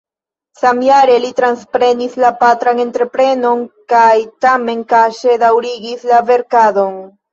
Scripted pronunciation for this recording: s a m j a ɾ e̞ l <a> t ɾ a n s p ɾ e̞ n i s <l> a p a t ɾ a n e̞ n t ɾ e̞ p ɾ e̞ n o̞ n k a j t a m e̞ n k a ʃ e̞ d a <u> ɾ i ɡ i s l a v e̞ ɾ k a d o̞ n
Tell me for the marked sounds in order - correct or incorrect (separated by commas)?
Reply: incorrect, correct, incorrect